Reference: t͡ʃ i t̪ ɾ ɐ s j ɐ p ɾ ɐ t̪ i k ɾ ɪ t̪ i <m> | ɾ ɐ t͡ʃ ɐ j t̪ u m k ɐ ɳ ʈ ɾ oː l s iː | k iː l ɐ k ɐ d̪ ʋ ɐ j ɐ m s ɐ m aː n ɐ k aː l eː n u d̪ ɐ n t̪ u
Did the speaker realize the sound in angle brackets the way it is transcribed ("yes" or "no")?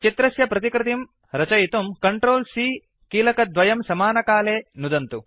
yes